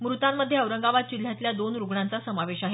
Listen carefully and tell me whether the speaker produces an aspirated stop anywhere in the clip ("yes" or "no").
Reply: no